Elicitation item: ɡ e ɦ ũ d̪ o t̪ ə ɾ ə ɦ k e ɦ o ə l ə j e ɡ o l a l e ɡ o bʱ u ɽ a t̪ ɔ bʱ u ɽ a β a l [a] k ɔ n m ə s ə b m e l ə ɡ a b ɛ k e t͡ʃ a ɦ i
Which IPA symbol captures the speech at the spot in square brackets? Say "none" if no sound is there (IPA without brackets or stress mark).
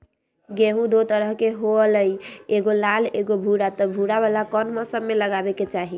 a